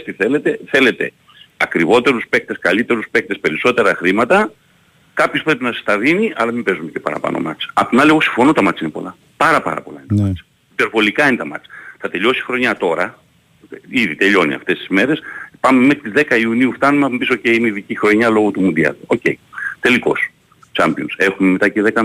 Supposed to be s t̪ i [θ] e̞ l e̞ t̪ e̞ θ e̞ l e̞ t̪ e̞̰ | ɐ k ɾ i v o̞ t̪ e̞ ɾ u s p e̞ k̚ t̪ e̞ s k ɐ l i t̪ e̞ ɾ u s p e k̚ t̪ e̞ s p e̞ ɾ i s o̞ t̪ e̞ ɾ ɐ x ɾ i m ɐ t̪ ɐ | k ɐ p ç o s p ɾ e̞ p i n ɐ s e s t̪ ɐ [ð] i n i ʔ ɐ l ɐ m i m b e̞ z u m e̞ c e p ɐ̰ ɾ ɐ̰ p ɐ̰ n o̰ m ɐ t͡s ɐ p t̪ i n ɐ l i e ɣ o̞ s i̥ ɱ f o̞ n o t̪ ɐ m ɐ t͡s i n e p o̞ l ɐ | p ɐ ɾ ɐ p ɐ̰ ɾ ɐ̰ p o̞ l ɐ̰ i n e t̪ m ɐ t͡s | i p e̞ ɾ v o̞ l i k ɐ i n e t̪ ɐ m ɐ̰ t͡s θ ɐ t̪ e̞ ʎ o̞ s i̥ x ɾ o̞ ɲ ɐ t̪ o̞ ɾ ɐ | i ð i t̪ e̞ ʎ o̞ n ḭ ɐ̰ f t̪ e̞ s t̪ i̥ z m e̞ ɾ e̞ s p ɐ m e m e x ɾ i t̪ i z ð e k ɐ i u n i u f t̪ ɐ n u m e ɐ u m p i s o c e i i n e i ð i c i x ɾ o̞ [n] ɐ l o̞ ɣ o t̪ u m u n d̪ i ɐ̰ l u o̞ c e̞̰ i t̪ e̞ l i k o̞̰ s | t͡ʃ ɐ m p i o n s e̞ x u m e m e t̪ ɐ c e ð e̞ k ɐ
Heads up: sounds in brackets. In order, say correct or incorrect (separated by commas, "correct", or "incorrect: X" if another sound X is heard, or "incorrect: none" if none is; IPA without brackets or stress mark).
correct, correct, incorrect: ɲ